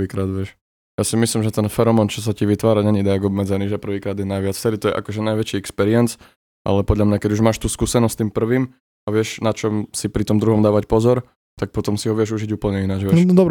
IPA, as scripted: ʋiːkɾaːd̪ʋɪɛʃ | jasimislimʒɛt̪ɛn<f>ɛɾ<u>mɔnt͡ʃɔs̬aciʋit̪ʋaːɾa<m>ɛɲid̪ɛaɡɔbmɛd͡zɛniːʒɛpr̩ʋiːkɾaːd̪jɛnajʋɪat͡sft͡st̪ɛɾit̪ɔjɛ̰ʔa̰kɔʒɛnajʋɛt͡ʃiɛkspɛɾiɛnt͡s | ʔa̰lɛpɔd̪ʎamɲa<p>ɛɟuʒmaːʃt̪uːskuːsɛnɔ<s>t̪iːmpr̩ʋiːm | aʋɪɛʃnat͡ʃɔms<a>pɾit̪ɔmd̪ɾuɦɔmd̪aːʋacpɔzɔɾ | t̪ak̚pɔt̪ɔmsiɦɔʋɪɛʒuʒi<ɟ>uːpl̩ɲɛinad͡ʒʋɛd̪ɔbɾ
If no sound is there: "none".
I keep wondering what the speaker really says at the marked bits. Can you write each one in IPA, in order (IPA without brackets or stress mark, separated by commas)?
f, ɔ, ɲ, k, s, i, ɟ